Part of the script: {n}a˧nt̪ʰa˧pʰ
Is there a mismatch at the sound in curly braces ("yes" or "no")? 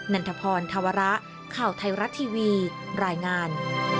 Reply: no